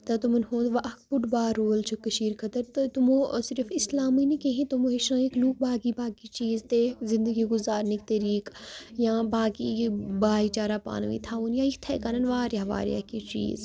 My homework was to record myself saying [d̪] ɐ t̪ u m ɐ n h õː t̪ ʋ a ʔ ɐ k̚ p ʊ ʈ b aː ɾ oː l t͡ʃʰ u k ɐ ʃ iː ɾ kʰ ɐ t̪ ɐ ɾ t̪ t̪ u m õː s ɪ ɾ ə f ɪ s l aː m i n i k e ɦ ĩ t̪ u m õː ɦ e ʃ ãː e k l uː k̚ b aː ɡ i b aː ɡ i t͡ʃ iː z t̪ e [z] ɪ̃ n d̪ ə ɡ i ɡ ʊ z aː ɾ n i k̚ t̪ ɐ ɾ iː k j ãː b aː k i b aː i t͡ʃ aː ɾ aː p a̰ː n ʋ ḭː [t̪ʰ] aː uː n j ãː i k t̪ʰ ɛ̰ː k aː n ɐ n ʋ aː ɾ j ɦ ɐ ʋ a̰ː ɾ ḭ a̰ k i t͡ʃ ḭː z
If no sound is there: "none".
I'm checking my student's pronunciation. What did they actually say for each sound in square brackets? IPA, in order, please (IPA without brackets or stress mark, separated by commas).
t̪, z, t̪ʰ